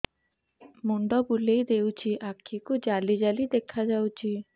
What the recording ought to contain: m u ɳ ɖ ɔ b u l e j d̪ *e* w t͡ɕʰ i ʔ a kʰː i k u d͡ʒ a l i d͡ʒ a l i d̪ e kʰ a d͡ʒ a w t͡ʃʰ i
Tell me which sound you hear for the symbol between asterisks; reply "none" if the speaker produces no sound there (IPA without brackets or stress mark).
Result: e